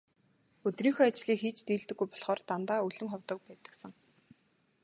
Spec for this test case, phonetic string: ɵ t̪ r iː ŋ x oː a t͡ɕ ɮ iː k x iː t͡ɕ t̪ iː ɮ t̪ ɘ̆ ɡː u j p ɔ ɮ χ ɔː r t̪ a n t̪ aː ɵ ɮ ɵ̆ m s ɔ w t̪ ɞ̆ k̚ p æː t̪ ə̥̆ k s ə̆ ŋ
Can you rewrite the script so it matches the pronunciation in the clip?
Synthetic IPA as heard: ɵ t̪ r iː ŋ x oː a t͡ɕ ɮ iː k x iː t͡ɕ t̪ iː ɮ t̪ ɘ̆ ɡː u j p ɔ ɮ χ ɔː r t̪ a n t̪ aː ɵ ɮ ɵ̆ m χ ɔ w t̪ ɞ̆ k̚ p æː t̪ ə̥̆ k s ə̆ ŋ